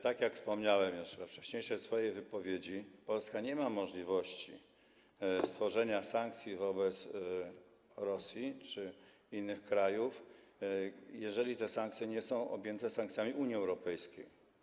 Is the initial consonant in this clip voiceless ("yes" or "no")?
yes